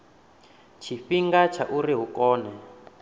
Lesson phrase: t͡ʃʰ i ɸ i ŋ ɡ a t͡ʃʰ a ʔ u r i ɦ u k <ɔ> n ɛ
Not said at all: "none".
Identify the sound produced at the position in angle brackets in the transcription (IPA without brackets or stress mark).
ɔː